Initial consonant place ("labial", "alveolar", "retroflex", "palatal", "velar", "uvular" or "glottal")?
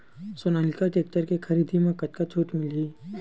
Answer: alveolar